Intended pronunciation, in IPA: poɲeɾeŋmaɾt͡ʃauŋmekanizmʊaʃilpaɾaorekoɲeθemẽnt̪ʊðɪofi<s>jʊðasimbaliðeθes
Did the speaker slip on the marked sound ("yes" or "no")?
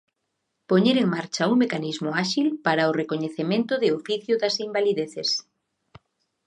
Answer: yes